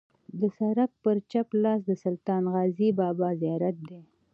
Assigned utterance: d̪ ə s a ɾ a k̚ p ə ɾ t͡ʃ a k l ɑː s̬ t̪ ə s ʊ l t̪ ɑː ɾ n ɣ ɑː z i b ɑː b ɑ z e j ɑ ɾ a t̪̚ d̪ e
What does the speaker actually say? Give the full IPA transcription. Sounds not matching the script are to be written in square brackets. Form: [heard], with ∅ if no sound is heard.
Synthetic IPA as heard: d̪ ə s a ɾ a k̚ p ə ɾ t͡ʃ a [p] l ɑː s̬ [d̪] ə s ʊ l t̪ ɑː [∅] n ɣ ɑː z i b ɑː b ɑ z [i] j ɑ ɾ a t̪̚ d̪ e